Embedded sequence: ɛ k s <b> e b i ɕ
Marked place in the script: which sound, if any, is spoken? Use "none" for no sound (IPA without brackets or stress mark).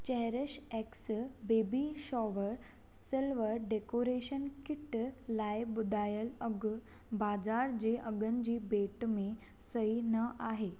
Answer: b